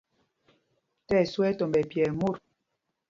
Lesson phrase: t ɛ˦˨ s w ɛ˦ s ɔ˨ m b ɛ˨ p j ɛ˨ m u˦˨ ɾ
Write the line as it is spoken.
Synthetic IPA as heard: t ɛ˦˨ s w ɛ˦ t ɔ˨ m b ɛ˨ p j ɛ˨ m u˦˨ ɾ